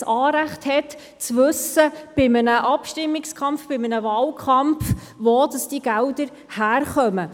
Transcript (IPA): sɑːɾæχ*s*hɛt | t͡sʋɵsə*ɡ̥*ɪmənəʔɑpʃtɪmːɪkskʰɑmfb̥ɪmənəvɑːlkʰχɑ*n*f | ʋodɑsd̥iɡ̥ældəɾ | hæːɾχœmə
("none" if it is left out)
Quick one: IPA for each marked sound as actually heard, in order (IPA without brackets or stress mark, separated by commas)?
t, b̥, m